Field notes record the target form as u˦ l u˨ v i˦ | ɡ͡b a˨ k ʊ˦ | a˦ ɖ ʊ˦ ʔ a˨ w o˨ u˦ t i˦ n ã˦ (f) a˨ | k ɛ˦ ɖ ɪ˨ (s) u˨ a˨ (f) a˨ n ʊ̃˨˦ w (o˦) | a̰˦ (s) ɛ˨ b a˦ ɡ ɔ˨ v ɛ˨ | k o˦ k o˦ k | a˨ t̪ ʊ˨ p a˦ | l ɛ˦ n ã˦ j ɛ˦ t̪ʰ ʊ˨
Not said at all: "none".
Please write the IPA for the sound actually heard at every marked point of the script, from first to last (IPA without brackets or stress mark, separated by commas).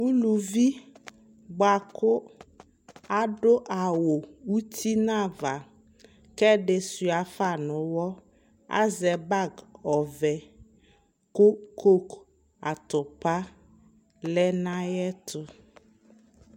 v, s, f, ɔ˦, z